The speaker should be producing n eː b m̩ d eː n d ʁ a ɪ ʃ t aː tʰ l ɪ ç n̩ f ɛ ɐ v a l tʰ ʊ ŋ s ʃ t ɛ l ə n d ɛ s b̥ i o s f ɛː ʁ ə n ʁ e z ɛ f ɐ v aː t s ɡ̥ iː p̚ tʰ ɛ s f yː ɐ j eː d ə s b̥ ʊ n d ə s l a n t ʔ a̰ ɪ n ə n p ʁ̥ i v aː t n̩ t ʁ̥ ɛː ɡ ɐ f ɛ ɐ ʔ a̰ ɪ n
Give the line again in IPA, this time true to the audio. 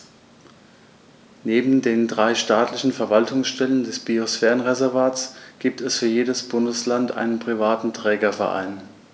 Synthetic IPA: n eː b m̩ d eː n d ʁ a ɪ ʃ t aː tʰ l ɪ ç n̩ f ɛ ɐ v a l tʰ ʊ ŋ s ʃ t ɛ l ə n d ɛ s b̥ i o s f ɛː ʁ ə n ʁ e z ɛ ɐ v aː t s ɡ̥ iː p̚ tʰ ɛ s f yː ɐ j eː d ə s b̥ ʊ n d ə s l a n t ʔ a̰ ɪ n ə n p ʁ̥ i v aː t n̩ t ʁ̥ ɛː ɡ ɐ f ɛ ɐ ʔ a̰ ɪ n